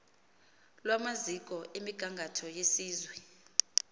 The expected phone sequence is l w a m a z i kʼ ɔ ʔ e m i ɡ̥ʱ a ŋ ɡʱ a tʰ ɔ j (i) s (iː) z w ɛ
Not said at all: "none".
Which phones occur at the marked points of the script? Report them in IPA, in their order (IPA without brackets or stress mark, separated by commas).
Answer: e, iː